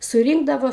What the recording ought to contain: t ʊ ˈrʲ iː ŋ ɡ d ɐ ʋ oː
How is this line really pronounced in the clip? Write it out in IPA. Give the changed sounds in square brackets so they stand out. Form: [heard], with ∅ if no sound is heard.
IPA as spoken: [s] ʊ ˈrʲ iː ŋ ɡ d ɐ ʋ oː